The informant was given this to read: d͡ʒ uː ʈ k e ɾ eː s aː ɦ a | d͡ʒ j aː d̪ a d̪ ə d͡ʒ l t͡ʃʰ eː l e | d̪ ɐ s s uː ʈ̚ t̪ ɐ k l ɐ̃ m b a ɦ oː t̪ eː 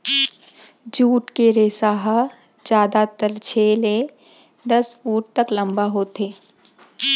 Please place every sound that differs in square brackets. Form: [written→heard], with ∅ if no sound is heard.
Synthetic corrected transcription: d͡ʒ uː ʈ k e ɾ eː s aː ɦ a | d͡ʒ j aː d̪ a [d̪→t̪] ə [d͡ʒ→∅] l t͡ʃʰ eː l e | d̪ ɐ s [s→f] uː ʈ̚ t̪ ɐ k l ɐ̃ m b a ɦ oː t̪ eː